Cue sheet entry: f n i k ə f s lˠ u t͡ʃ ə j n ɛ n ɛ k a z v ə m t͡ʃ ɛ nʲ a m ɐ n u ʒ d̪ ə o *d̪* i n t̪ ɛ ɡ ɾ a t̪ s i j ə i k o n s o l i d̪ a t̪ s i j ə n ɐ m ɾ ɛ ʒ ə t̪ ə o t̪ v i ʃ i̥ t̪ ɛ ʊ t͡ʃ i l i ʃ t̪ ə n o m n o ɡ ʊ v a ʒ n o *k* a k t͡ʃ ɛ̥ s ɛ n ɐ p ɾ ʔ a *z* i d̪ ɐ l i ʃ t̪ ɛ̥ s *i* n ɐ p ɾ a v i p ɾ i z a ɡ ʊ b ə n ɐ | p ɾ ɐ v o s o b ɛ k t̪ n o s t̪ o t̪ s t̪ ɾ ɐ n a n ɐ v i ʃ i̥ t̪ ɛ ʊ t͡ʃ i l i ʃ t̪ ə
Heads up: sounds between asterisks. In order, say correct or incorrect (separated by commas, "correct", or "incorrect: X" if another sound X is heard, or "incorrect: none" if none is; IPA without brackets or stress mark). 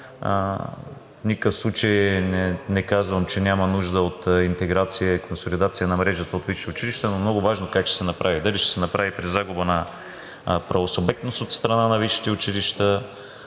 incorrect: t̪, correct, incorrect: v, incorrect: ɛ